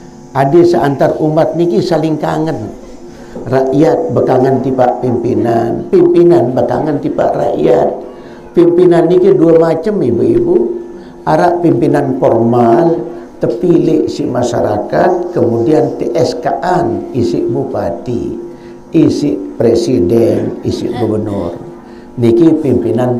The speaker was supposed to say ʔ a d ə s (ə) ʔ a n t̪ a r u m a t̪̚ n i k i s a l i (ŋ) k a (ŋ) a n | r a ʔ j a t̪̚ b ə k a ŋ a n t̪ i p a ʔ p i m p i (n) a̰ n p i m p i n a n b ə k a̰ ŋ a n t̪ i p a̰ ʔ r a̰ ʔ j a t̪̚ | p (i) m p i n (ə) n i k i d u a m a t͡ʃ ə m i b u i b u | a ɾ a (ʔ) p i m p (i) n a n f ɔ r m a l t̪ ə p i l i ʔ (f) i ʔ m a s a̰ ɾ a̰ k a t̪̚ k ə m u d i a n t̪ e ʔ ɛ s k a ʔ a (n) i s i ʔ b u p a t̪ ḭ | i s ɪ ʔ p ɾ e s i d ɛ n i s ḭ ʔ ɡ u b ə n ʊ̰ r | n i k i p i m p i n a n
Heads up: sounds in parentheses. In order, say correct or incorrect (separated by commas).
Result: correct, correct, correct, correct, correct, incorrect, correct, correct, incorrect, correct